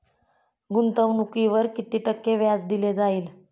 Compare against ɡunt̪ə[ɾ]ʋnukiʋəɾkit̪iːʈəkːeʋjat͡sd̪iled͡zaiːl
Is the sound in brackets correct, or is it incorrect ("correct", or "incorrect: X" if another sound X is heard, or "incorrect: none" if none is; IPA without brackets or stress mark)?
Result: incorrect: none